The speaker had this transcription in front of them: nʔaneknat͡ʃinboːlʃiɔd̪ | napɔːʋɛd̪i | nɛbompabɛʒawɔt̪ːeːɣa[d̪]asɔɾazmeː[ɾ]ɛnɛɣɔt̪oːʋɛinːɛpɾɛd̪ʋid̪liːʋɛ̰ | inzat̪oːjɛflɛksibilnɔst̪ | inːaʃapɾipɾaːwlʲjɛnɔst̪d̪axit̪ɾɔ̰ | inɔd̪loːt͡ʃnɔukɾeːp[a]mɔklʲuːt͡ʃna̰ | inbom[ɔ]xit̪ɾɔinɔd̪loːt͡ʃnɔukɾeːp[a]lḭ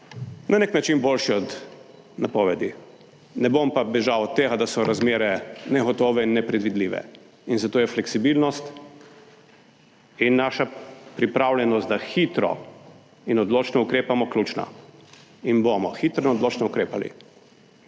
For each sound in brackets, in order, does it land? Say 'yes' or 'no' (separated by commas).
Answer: yes, yes, yes, yes, yes